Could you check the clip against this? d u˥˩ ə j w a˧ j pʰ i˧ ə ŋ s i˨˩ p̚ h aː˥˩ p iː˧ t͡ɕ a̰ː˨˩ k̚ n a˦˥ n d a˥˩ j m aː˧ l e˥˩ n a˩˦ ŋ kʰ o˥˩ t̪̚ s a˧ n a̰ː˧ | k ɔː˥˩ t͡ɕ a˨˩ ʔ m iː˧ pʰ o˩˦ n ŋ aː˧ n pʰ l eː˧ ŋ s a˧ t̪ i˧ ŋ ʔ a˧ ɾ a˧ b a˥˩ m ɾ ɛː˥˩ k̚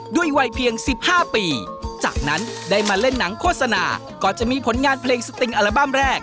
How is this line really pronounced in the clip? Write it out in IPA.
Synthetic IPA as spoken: d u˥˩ ə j w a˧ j pʰ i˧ ə ŋ s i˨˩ p̚ h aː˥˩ p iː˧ t͡ɕ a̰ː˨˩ k̚ n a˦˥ n d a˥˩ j m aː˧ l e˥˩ nː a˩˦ ŋ kʰ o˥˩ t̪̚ s a˧ n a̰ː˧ | k ɔː˨˩ t͡ɕ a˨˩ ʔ m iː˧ pʰ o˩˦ n ŋ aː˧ n pʰ l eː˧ ŋ s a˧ t̪ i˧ ŋ ʔ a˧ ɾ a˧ b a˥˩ m ɾ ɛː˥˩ k̚